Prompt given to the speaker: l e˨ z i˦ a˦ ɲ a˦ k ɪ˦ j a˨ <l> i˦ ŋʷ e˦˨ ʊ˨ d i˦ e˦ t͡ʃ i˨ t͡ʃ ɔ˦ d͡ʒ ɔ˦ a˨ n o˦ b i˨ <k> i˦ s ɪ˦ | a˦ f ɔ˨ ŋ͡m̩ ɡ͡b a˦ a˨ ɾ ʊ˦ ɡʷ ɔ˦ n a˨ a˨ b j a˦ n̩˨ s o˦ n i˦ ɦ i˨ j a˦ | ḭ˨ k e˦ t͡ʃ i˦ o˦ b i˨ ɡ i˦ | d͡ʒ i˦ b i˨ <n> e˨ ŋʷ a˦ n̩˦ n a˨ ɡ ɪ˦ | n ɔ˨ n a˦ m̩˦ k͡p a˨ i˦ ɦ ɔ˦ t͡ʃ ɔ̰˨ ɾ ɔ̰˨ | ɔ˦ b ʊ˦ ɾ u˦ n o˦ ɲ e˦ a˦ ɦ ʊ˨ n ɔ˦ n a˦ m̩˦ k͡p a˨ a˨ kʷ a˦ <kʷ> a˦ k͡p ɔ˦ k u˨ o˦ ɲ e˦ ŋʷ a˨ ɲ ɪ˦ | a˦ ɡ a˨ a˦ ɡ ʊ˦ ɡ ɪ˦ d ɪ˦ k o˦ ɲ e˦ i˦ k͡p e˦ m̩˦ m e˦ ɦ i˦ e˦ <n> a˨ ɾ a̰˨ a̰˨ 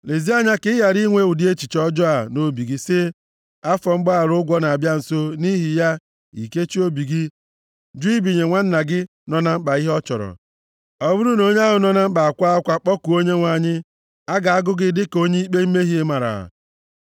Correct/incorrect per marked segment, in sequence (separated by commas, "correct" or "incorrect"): incorrect, incorrect, incorrect, correct, incorrect